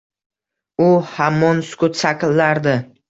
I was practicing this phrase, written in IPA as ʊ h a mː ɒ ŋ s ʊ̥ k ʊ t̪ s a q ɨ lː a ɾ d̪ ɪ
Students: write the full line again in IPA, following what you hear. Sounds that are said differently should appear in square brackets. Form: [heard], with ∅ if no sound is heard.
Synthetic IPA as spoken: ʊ h a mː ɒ [n] s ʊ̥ k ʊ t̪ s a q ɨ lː a ɾ d̪ ɪ